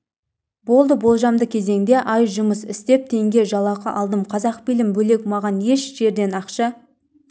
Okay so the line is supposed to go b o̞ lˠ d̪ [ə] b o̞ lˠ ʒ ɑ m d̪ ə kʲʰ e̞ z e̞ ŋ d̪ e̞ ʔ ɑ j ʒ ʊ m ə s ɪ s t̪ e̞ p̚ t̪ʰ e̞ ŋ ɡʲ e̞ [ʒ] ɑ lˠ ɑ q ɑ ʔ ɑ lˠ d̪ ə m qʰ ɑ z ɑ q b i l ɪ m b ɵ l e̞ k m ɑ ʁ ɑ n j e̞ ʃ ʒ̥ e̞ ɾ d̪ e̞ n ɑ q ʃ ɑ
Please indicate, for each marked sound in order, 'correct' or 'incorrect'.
correct, correct

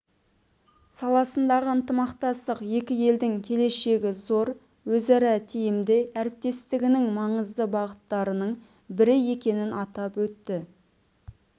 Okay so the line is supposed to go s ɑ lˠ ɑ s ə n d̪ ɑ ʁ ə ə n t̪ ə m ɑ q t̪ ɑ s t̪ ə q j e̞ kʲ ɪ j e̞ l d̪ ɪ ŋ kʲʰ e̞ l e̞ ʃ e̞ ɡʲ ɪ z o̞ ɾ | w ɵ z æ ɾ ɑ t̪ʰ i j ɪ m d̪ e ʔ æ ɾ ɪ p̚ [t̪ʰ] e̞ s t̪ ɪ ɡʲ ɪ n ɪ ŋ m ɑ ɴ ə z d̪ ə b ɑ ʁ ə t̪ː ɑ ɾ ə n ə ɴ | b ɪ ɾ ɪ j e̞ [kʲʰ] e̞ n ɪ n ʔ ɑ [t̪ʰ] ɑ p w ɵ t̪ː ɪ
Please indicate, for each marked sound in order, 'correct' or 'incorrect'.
incorrect: t̪, incorrect: kʲ, incorrect: t̪

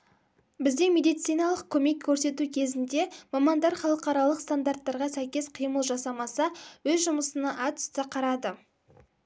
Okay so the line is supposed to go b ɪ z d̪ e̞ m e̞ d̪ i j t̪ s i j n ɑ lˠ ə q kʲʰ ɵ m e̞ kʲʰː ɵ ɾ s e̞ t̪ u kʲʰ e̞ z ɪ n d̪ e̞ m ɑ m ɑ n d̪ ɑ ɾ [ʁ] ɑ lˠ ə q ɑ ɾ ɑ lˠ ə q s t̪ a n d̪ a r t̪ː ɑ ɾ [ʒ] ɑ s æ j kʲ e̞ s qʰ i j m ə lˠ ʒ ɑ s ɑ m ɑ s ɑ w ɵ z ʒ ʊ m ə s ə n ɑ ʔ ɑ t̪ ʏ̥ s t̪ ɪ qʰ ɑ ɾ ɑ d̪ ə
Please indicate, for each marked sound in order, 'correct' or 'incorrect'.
incorrect: χ, incorrect: ʁ

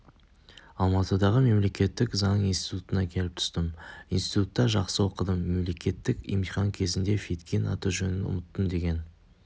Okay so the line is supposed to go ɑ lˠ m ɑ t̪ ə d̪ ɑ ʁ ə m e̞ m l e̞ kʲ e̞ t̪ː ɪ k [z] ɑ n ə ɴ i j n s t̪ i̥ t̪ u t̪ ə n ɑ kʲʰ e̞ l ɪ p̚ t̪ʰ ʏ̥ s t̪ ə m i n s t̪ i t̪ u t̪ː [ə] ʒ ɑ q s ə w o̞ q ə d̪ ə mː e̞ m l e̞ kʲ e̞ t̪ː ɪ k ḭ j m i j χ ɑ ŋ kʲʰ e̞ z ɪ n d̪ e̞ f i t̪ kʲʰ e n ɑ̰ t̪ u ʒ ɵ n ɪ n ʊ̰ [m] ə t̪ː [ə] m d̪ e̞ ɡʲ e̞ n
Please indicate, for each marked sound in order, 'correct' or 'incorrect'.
correct, incorrect: ɑ, correct, correct

